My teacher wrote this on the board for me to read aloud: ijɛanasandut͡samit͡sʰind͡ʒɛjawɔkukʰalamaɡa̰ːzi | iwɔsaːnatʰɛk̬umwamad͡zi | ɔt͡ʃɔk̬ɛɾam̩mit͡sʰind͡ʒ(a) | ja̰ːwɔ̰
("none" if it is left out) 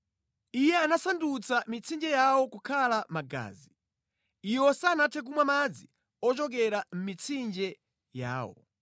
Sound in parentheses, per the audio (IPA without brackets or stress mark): ɛ